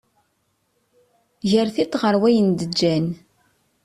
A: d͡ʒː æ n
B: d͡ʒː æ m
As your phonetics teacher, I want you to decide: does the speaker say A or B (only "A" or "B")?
A